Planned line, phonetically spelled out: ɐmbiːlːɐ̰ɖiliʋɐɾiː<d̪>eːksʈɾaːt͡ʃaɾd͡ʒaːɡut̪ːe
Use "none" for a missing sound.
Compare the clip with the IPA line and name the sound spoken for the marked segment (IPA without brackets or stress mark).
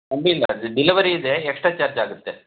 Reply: d̪